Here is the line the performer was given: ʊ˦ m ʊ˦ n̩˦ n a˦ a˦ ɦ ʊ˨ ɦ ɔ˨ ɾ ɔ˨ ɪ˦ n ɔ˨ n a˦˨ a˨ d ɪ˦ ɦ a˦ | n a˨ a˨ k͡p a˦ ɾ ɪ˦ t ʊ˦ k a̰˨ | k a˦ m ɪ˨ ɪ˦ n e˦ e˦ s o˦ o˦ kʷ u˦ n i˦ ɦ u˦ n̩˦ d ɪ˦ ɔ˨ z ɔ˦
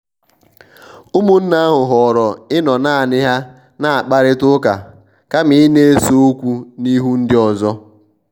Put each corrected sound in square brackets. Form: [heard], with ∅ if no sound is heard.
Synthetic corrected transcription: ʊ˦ m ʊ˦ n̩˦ n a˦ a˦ ɦ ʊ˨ ɦ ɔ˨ ɾ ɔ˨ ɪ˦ n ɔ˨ n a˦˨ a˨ [n] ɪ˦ ɦ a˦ | n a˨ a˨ k͡p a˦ ɾ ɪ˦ t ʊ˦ k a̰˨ | k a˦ m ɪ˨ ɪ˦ n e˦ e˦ s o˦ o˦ kʷ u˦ n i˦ ɦ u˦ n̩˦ d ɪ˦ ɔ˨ z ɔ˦